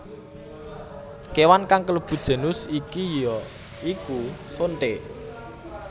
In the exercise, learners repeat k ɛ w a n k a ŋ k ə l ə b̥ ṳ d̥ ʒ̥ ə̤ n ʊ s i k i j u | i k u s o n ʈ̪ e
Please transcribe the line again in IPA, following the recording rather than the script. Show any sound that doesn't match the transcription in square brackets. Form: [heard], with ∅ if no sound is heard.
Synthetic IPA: k [e] w a n k a ŋ k ə l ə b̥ ṳ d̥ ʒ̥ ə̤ n ʊ s i k i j [ɔ] | i k u s o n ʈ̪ e